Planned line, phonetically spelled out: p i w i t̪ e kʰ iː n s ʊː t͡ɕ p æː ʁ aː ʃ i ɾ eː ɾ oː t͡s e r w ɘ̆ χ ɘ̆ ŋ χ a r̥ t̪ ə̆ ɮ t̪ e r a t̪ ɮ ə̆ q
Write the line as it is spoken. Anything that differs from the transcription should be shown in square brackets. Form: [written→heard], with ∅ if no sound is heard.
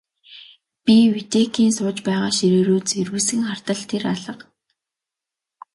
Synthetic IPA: p i w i t̪ e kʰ iː n s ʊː t͡ɕ p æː ʁ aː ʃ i ɾ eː ɾ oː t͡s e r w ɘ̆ [χ→s] ɘ̆ ŋ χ a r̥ t̪ ə̆ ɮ [t̪→t̪ʰ] e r a [t̪→∅] ɮ ə̆ q